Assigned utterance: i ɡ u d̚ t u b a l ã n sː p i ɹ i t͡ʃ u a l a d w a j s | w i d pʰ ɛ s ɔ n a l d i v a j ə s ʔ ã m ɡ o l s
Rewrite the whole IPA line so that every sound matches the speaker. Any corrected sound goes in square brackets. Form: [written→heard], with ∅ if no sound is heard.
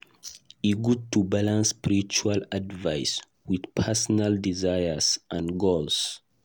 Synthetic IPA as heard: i ɡ u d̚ t u b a l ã n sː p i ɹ i t͡ʃ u a l a d [w→v] a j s | w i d pʰ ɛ s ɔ n a l d i [v→z] a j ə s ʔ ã [m→n] ɡ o l s